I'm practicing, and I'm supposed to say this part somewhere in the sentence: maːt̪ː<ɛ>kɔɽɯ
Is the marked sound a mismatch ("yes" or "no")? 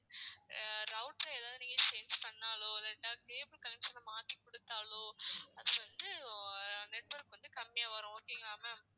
yes